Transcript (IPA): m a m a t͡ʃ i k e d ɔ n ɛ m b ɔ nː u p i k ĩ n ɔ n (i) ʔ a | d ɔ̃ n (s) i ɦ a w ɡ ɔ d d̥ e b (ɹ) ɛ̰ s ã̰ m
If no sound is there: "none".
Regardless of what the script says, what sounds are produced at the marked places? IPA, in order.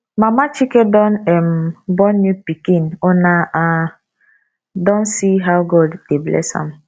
a, s, l

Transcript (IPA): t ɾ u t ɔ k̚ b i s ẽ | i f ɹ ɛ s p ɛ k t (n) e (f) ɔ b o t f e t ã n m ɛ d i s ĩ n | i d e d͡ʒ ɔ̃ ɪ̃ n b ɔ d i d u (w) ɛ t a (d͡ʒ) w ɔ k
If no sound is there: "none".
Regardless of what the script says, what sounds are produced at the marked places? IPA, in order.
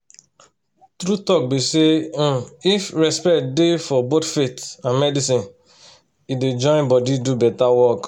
d, f, b, none

